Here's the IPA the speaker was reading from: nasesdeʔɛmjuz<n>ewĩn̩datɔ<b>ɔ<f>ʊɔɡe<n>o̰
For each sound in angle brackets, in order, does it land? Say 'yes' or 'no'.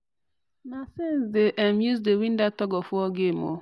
no, no, yes, no

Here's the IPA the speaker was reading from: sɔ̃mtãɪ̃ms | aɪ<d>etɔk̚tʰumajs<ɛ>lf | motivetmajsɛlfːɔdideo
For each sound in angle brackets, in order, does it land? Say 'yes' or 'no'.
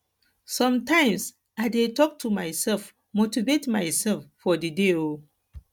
yes, yes

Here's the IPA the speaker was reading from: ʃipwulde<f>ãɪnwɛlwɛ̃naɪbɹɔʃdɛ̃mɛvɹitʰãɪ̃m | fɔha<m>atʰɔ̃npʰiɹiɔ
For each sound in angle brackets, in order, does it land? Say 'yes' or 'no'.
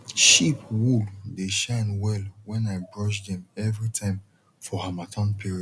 no, yes

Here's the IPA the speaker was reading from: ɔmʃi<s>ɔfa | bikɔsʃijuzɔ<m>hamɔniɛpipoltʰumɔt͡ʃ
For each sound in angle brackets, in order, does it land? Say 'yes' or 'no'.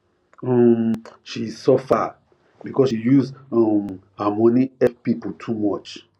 yes, yes

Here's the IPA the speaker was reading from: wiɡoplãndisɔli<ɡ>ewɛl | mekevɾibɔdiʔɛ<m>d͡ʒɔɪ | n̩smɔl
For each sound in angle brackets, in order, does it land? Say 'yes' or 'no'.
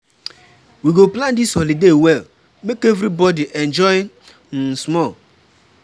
no, no

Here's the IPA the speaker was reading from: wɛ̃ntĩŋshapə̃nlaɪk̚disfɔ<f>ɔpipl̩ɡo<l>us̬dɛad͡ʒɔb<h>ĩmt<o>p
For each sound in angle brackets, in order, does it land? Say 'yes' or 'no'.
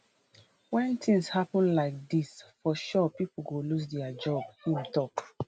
no, yes, yes, no

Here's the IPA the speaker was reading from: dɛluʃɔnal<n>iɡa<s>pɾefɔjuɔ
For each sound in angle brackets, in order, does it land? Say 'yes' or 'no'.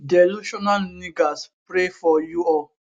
yes, yes

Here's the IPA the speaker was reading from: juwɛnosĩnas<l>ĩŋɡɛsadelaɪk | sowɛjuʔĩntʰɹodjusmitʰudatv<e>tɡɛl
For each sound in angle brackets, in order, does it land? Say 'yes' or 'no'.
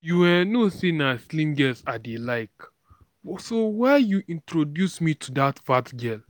yes, no

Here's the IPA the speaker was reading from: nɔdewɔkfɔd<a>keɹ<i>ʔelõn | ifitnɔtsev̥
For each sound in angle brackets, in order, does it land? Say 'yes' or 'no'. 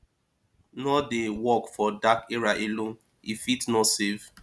yes, no

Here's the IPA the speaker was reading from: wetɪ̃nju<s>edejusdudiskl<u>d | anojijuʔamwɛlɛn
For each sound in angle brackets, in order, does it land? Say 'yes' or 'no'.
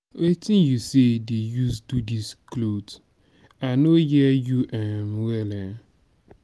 yes, no

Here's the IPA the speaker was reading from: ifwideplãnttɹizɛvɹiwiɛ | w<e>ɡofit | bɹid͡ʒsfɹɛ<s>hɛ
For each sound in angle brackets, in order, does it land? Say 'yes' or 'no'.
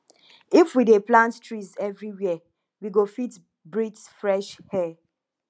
no, no

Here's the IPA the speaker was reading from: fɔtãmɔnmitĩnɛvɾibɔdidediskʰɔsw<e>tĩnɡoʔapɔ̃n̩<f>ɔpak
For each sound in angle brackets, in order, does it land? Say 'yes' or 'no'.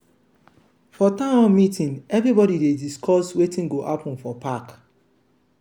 yes, yes

